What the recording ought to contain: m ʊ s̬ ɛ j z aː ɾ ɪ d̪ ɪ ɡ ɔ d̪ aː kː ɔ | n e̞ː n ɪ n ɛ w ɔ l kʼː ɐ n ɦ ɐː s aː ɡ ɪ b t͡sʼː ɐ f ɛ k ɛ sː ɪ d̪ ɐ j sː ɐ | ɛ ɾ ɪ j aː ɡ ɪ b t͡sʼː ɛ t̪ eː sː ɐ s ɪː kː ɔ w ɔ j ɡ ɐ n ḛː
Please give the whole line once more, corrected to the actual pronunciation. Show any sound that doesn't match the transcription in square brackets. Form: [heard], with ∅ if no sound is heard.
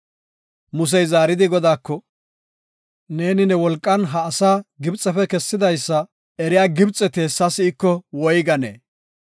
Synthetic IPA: m ʊ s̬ ɛ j z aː ɾ ɪ d̪ ɪ ɡ ɔ d̪ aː kː ɔ | n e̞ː n ɪ n ɛ w ɔ l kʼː ɐ n ɦ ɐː s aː ɡ ɪ b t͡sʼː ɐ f ɛ k ɛ sː ɪ d̪ ɐ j sː ɐ | ɛ ɾ ɪ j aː ɡ ɪ b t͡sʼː ɛ t̪ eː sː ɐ s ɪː kː ɔ w ɔ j ɡ ɐ n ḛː